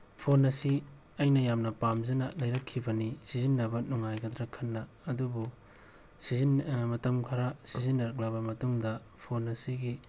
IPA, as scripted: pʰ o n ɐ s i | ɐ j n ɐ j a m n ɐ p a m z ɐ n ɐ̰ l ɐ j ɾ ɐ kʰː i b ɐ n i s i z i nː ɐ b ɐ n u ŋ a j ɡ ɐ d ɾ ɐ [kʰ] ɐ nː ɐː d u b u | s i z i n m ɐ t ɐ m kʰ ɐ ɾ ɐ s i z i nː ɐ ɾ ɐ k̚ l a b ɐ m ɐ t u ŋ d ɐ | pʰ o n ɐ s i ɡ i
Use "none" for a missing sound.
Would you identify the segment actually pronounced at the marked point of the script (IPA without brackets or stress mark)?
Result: kʰ